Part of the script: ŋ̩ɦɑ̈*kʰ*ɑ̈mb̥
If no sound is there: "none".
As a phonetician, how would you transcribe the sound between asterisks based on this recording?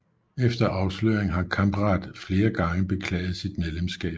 kʰ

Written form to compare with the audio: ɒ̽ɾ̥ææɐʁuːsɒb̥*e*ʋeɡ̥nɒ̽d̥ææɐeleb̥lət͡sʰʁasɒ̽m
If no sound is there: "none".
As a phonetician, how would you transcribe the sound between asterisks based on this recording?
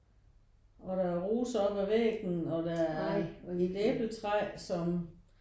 æ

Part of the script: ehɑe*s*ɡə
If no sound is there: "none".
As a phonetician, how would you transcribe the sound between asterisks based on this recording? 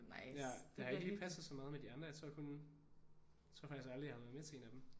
none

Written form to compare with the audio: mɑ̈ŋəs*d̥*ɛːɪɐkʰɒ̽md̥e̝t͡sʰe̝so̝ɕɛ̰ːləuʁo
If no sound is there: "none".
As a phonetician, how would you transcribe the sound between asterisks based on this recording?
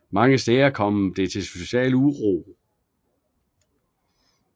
d̥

